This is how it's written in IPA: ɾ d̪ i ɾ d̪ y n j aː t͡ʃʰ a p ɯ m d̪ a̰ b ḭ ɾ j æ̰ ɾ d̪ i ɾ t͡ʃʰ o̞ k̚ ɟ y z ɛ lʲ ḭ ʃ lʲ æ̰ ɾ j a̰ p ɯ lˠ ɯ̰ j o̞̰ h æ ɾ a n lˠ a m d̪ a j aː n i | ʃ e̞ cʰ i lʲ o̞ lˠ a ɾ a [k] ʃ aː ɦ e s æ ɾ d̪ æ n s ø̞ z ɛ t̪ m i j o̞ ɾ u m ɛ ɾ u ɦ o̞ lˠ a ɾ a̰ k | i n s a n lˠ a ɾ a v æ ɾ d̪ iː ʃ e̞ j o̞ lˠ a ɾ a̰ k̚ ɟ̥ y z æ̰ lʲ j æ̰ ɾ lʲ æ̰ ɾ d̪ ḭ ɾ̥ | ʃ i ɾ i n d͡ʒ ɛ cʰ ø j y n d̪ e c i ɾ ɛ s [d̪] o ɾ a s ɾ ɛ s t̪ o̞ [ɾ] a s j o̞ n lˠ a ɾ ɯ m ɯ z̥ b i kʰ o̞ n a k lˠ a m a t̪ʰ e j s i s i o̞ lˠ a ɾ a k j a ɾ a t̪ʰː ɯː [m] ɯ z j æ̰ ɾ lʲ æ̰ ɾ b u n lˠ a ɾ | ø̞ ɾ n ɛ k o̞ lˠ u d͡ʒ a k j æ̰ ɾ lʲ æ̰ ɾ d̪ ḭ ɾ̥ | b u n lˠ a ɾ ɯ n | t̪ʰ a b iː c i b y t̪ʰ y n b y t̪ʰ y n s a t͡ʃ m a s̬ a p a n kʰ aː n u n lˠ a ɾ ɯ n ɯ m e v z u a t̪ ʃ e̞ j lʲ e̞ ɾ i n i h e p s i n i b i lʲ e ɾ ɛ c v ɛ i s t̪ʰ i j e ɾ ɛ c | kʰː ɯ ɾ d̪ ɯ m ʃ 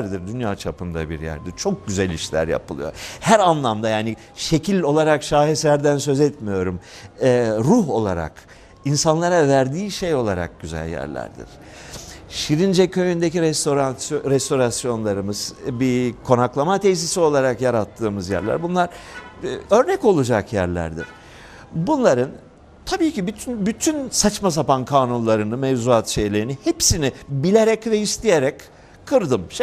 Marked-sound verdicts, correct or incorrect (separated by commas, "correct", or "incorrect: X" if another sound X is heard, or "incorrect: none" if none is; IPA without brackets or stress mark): correct, incorrect: t̪, correct, correct